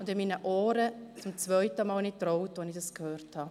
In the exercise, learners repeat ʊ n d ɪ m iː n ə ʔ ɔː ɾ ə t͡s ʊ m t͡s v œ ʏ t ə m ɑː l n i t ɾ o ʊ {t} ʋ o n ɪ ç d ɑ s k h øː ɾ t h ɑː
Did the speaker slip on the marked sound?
no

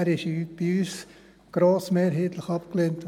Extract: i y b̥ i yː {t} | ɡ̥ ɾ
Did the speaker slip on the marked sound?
yes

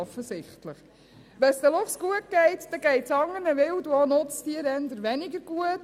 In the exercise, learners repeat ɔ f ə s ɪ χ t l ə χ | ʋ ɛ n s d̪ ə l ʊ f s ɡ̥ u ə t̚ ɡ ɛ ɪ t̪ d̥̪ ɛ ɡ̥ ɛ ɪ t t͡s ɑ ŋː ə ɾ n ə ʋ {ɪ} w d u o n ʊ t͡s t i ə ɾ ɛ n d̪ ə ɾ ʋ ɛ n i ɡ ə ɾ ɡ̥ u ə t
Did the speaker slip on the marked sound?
no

